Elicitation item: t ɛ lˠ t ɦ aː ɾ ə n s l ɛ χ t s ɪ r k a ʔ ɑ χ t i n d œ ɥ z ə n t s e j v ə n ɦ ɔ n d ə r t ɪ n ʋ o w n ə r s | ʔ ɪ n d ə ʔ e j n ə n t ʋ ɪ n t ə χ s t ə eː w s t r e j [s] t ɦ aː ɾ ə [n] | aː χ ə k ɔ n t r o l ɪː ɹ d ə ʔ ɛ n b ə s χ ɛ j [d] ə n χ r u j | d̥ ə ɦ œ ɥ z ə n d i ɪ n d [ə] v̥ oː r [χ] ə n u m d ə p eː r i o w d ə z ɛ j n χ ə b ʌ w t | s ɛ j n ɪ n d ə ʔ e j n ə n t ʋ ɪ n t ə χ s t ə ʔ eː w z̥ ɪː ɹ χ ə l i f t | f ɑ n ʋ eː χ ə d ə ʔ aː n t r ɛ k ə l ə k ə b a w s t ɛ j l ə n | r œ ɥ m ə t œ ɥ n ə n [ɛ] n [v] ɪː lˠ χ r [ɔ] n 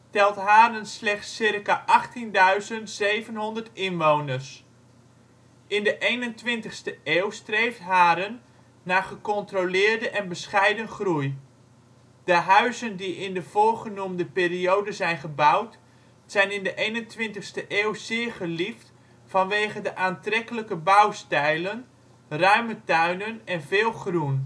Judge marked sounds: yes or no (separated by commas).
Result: no, no, yes, yes, yes, yes, yes, no